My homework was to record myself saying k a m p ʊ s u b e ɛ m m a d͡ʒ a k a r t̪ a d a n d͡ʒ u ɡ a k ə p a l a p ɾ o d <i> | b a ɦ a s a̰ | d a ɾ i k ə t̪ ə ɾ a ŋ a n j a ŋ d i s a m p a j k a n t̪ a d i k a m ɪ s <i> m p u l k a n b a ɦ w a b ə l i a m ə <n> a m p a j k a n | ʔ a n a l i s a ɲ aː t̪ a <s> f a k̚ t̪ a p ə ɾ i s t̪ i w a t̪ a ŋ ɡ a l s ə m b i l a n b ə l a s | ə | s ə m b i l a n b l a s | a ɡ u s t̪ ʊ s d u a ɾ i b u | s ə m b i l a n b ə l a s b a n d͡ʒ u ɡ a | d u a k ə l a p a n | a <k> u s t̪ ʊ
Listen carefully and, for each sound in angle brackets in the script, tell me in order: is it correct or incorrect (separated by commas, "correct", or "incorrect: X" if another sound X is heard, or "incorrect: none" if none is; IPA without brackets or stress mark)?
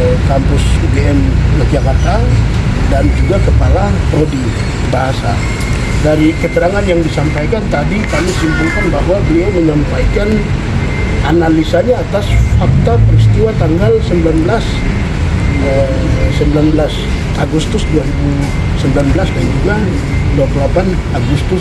correct, correct, incorrect: ɲ, correct, incorrect: ɡ